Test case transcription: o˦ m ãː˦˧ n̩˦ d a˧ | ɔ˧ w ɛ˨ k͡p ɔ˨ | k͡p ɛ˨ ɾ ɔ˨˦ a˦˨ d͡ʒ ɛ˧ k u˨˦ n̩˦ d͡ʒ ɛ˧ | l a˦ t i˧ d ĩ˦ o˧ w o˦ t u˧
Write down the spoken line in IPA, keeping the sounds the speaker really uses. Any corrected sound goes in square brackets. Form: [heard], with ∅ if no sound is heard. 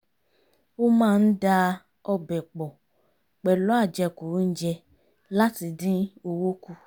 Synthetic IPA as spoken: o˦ m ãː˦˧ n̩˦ d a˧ | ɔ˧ [b] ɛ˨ k͡p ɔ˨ | k͡p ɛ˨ [l] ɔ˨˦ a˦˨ d͡ʒ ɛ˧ k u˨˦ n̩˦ d͡ʒ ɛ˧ | l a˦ t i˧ d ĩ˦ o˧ w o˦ [k] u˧